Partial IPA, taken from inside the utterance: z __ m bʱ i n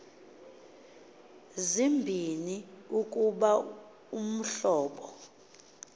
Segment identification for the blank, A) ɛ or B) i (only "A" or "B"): B